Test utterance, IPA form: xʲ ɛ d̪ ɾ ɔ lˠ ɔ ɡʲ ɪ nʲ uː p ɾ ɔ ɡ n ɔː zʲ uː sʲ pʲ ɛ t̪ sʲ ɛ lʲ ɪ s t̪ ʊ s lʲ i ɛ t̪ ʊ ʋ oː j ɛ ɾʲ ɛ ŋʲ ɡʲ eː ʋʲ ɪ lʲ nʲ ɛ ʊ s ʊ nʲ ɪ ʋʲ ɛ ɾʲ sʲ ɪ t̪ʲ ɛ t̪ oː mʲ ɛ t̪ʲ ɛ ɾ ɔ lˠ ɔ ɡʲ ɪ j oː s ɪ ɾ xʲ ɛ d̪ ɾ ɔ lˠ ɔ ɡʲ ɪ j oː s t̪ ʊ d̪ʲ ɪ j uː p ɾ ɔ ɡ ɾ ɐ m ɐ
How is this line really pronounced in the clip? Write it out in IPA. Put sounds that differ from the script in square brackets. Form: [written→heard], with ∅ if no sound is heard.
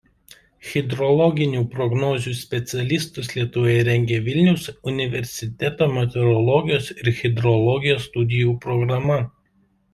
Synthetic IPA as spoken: xʲ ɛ d̪ ɾ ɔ lˠ ɔ ɡʲ ɪ nʲ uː p ɾ ɔ ɡ n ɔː zʲ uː sʲ pʲ ɛ t̪ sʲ ɛ lʲ ɪ s t̪ ʊ s lʲ i ɛ t̪ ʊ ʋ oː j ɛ ɾʲ ɛ ŋʲ ɡʲ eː ʋʲ ɪ lʲ nʲ ɛ ʊ s ʊ nʲ ɪ ʋʲ ɛ ɾʲ sʲ ɪ t̪ʲ ɛ t̪ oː mʲ ɛ t̪ʲ ɛ ɾ ɔ lˠ ɔ ɡʲ ɪ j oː s ɪ ɾ xʲ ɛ d̪ ɾ ɔ lˠ ɔ ɡʲ ɪ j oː s t̪ ʊ d̪ʲ ɪ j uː p ɾ ɔ ɡ ɾ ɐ m ɐ